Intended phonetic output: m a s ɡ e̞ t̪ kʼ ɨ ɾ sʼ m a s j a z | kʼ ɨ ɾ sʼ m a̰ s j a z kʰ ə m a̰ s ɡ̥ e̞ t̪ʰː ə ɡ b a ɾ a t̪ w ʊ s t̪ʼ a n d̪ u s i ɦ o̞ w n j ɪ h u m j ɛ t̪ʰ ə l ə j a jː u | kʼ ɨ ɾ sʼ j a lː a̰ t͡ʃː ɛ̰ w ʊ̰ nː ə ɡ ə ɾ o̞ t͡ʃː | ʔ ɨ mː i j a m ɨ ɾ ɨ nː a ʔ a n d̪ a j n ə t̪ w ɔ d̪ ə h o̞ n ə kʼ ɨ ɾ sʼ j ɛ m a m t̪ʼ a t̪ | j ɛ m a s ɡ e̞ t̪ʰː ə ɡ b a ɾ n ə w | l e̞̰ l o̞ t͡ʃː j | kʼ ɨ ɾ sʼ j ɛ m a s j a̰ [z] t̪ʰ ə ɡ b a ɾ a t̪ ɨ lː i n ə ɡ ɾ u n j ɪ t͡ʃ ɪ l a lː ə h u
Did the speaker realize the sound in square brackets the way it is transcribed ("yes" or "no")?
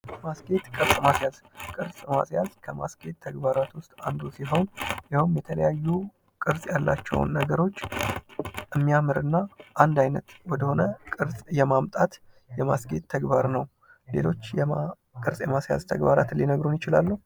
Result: yes